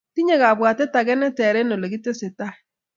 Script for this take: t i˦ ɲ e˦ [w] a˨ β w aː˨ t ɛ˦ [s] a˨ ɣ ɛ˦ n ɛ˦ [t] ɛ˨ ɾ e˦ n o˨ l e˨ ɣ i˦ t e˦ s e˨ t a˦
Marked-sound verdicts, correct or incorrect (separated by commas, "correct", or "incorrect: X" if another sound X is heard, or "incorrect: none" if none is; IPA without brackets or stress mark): incorrect: ɣ, incorrect: t, correct